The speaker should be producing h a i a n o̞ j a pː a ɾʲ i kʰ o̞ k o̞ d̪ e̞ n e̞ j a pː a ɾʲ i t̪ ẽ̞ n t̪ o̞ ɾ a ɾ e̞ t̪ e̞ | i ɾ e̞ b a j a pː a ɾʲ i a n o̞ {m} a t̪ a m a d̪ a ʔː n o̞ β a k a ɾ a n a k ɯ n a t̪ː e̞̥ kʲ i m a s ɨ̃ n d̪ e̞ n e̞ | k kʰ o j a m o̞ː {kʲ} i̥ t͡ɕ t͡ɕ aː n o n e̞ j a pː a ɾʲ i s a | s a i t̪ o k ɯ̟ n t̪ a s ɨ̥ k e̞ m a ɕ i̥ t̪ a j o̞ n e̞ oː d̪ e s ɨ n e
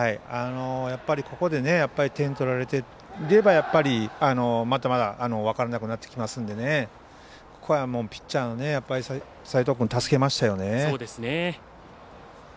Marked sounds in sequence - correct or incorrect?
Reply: correct, incorrect

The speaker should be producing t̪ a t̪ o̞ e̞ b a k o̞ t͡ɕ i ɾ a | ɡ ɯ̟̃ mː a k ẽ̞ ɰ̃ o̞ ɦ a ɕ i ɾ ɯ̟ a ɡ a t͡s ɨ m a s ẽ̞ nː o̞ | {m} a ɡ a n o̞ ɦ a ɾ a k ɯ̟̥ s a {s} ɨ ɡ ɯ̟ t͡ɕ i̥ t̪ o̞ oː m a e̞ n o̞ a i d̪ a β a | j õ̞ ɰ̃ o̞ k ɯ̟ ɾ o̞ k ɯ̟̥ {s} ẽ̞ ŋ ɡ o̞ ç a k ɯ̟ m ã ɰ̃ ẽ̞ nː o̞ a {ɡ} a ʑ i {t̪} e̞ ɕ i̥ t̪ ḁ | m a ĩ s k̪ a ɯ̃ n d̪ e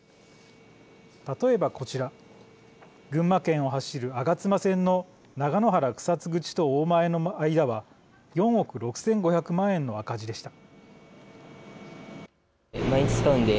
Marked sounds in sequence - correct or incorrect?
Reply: incorrect, incorrect, correct, incorrect, incorrect

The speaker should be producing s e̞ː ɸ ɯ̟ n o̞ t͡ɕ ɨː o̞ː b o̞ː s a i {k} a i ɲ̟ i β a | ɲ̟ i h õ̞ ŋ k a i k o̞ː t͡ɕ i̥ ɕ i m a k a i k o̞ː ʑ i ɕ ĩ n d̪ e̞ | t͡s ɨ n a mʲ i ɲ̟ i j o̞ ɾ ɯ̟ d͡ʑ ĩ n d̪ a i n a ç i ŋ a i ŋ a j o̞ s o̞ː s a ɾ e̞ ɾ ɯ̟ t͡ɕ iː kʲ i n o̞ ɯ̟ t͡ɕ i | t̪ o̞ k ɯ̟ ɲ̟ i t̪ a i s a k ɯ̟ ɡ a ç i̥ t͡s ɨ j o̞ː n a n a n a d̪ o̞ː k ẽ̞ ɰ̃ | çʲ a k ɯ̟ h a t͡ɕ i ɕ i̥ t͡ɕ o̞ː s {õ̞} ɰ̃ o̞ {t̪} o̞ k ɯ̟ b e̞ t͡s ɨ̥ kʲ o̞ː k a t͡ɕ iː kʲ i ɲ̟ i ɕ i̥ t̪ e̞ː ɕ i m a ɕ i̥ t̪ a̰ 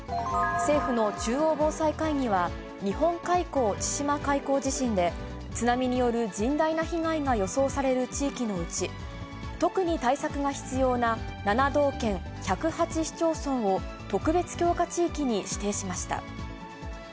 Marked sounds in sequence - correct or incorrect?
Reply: correct, correct, correct

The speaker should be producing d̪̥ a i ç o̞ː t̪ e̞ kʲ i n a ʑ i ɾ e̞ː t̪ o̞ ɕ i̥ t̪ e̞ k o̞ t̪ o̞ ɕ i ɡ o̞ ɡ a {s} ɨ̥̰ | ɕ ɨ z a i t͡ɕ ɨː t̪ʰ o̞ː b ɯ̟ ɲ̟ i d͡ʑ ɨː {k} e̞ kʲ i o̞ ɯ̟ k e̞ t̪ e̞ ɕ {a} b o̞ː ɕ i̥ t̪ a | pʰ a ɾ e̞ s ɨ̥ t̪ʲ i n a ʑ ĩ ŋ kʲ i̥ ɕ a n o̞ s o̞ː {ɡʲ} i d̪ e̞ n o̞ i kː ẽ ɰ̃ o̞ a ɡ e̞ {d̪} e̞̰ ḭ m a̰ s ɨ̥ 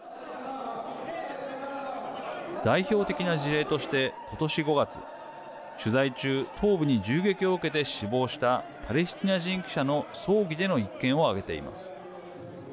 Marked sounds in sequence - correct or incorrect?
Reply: incorrect, incorrect, incorrect, correct, incorrect

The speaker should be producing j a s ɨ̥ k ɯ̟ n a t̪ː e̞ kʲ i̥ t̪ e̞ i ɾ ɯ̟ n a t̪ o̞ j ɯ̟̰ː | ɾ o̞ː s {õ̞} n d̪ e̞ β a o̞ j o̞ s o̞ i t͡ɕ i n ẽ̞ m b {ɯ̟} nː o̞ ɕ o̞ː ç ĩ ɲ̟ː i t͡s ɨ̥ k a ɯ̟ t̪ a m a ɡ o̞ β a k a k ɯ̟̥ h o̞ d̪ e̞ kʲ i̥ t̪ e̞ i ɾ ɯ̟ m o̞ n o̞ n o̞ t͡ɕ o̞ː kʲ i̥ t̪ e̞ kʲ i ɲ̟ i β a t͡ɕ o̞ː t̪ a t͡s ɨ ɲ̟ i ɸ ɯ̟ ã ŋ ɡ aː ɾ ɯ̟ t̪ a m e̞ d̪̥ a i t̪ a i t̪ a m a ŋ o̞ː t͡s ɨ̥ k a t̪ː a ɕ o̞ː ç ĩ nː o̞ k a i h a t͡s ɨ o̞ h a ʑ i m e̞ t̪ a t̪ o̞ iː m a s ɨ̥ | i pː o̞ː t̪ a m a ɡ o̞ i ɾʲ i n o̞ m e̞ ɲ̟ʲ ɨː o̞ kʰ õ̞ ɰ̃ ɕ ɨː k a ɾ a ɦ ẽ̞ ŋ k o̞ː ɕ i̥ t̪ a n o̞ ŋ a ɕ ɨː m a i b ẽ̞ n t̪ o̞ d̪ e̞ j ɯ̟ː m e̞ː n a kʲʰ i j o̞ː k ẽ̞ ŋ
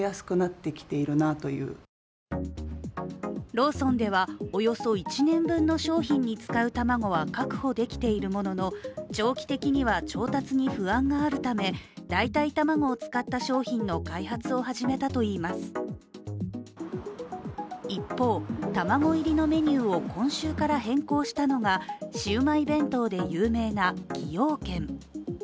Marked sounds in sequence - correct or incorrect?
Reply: correct, incorrect

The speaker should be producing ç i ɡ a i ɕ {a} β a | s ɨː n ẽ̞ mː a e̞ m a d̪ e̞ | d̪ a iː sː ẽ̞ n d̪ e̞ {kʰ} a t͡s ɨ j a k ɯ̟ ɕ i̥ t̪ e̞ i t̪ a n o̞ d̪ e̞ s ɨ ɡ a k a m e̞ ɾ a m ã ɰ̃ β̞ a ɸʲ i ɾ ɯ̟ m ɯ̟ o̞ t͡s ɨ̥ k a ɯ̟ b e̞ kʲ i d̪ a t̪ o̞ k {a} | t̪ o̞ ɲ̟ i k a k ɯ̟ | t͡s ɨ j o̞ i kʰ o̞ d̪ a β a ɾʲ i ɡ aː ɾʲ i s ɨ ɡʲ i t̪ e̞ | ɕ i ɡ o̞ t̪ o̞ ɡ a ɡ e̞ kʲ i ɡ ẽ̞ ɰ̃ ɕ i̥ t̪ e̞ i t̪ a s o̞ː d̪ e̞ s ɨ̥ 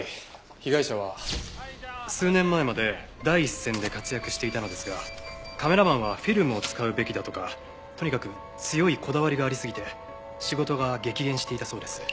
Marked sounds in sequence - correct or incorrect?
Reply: correct, incorrect, correct

